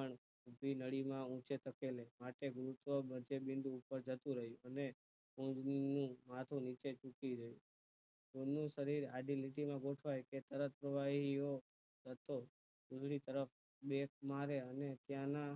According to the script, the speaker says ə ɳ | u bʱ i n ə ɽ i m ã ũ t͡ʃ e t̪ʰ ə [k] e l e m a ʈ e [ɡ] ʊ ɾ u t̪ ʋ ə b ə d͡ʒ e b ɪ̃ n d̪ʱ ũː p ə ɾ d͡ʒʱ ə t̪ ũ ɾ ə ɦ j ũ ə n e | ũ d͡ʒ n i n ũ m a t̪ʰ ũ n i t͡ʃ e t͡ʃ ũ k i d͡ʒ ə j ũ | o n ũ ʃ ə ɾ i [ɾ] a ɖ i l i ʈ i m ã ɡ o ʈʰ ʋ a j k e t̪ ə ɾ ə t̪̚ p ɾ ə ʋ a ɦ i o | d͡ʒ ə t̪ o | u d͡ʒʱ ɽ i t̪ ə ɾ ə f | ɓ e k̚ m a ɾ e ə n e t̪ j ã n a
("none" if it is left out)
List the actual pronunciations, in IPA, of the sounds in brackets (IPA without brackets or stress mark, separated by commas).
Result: k, ɡ, ɾ